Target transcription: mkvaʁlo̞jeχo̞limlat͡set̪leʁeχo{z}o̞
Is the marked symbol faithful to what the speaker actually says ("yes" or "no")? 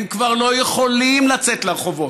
no